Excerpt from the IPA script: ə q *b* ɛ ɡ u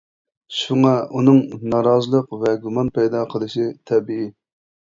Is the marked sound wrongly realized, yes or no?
yes